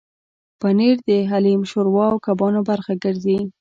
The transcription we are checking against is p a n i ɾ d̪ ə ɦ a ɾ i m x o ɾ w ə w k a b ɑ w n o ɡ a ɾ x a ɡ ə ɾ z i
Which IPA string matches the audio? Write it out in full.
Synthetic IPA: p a n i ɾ d̪ ə ɦ a l i m ʃ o ɾ w ɑ w k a b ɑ n o b a ɾ x a ɡ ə ɾ z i